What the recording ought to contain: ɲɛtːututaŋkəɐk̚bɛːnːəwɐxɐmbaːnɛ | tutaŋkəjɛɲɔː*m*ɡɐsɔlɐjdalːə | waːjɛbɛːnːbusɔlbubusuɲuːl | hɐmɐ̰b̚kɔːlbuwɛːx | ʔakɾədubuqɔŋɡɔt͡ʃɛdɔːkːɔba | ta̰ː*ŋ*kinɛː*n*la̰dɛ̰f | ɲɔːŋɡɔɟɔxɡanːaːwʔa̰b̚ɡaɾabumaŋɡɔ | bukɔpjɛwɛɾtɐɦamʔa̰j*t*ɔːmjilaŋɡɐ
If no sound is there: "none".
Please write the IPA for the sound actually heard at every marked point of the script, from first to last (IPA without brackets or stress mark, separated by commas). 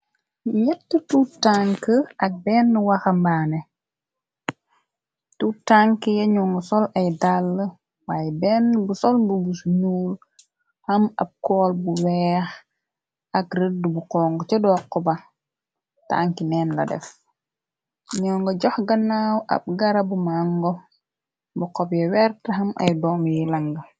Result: ŋ, ŋ, n, d